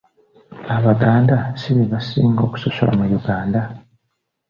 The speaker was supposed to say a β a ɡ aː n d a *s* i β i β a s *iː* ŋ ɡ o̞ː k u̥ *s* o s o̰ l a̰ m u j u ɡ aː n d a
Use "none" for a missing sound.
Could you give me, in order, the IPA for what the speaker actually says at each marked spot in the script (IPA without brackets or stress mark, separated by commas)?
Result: s, iː, s